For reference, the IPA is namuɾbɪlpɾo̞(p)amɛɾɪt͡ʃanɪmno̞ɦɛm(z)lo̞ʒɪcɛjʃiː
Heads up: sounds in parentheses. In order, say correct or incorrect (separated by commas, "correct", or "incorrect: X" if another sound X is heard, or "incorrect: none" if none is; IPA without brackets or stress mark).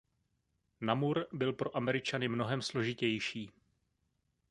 incorrect: ʔ, incorrect: s